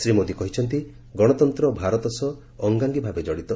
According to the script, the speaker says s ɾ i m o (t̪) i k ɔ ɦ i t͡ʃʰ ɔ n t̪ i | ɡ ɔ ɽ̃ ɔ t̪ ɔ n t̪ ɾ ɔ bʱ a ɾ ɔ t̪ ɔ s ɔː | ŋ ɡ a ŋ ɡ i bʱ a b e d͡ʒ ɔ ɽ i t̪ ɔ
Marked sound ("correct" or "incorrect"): incorrect